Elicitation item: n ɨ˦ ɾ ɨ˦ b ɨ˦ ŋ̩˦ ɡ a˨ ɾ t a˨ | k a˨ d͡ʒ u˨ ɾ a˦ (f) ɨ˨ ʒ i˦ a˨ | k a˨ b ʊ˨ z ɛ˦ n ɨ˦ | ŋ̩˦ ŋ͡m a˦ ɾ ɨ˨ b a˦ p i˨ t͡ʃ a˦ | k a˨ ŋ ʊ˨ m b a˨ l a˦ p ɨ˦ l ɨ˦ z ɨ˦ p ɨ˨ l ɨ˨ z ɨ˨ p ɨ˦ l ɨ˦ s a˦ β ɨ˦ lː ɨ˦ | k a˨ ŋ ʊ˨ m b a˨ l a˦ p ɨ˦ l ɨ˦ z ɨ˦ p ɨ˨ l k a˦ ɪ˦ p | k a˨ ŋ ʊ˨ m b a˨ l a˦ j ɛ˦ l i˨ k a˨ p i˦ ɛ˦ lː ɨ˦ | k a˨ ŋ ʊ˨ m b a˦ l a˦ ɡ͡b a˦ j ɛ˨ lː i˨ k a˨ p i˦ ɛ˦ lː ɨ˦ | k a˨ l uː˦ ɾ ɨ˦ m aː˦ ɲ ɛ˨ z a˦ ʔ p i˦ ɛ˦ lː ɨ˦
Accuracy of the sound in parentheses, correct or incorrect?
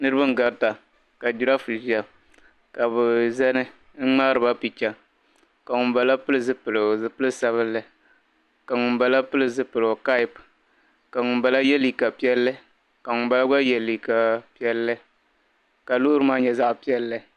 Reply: correct